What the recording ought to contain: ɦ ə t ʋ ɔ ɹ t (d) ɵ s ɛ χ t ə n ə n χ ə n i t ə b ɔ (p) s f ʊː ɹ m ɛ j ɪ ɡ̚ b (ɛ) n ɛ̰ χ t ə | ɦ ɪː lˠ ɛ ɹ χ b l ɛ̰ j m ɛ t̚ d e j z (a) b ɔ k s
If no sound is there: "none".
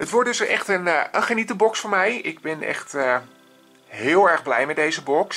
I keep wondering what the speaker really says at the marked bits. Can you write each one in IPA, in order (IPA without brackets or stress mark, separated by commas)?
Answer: d, k, ɛ, ə